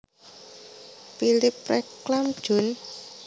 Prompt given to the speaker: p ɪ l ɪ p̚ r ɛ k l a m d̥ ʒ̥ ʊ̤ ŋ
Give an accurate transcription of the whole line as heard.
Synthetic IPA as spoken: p i l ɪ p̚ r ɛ k l a m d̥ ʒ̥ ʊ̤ n